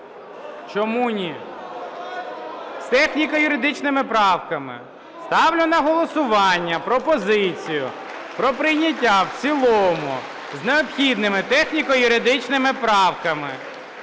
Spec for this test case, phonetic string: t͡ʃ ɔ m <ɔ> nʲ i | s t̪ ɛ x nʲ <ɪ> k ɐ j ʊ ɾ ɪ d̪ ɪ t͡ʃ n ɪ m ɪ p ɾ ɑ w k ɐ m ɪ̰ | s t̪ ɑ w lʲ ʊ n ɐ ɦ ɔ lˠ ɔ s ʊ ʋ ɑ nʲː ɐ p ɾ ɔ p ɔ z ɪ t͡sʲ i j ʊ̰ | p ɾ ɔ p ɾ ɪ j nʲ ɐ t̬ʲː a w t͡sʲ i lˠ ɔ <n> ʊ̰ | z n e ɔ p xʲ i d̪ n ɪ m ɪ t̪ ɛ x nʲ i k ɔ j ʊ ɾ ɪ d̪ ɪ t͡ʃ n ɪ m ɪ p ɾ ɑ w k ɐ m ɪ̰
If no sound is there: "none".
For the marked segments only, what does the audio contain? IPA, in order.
u, i, m

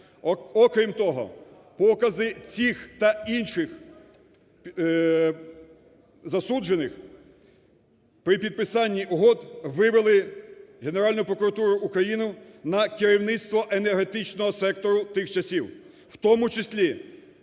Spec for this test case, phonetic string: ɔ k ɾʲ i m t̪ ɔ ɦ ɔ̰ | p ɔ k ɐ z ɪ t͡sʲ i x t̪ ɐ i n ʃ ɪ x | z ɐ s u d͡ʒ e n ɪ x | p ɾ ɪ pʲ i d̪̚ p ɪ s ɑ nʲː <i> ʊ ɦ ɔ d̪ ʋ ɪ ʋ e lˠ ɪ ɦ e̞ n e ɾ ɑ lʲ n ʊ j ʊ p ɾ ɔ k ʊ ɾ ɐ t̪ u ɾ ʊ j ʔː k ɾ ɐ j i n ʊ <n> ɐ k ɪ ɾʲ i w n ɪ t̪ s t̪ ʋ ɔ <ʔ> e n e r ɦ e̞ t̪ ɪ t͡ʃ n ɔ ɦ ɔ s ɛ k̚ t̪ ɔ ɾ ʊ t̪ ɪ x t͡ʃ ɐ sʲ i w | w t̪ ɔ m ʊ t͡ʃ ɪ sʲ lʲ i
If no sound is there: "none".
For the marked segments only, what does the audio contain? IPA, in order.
i, n, ʔ

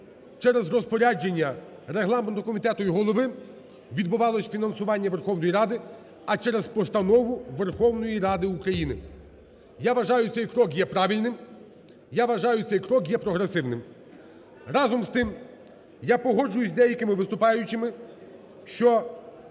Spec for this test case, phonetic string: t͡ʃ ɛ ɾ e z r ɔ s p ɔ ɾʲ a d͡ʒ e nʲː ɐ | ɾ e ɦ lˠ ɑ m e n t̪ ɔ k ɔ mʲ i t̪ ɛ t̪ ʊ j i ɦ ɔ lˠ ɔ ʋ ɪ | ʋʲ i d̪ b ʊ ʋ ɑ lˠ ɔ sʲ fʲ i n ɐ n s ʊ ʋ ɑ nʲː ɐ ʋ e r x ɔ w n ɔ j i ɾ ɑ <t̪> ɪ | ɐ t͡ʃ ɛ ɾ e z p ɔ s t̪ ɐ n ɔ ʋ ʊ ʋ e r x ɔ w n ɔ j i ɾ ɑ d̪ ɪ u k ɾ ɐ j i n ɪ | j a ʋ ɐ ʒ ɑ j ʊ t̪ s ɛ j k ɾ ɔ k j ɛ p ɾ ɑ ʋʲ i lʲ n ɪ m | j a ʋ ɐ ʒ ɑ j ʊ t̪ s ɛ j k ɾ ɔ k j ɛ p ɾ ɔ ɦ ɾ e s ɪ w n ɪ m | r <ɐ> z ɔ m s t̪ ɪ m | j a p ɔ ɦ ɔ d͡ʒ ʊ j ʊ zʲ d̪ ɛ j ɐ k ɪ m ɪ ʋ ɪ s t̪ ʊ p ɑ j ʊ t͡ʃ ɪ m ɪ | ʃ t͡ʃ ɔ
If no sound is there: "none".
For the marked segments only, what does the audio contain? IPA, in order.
d̪, ɑ

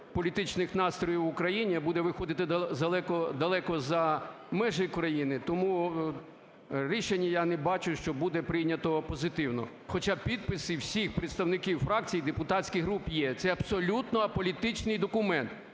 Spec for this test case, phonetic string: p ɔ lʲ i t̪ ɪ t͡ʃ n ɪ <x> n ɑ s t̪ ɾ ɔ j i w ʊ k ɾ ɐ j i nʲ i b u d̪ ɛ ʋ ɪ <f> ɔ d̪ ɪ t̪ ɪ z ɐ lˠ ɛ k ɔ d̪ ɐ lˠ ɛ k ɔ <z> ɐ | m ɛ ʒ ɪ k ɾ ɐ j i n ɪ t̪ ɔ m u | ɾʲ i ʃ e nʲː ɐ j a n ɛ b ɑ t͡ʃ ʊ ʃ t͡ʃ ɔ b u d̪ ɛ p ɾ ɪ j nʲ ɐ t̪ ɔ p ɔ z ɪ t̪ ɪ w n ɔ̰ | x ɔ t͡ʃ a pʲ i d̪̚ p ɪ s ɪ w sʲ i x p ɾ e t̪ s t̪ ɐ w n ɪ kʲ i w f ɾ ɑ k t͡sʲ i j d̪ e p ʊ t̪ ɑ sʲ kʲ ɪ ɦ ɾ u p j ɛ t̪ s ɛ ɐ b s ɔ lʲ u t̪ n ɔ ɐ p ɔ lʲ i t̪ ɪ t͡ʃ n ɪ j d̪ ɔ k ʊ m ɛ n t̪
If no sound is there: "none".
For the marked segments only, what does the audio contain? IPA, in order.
x, x, z

